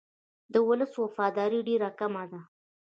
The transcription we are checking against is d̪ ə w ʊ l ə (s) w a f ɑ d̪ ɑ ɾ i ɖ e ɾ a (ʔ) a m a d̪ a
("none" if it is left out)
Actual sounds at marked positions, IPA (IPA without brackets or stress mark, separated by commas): s, k